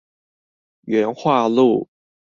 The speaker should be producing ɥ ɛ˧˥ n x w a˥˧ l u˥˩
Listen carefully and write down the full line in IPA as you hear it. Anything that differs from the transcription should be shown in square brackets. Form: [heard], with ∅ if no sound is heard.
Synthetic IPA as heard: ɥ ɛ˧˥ n x w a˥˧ l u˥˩